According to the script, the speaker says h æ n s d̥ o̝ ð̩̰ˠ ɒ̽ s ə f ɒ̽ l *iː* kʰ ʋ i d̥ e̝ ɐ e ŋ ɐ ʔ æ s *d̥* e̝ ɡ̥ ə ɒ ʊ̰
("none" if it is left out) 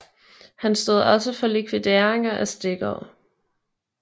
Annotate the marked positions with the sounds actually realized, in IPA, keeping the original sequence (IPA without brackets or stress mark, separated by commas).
i, d̥